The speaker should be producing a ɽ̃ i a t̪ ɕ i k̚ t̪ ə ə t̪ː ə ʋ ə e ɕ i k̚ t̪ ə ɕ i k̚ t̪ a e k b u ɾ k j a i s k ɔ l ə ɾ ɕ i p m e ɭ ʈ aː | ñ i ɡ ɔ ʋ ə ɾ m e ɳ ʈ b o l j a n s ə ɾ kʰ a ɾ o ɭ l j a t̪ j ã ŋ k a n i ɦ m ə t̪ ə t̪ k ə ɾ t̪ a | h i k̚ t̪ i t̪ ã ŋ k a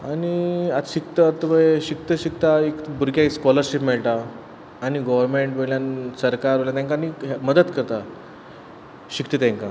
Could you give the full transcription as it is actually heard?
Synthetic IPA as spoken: a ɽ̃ i a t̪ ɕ i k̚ t̪ ə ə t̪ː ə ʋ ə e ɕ i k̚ t̪ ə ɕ i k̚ t̪ a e k b u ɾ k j a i s k ɔ l ə ɾ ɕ i p m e ɭ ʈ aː | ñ i ɡ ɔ ʋ ə ɾ m e ɳ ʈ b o l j a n s ə ɾ k a ɾ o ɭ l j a t̪ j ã ŋ k a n i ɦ m ə d̪ ə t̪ k ə ɾ t̪ a | ɕ i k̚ t̪ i t̪ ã ŋ k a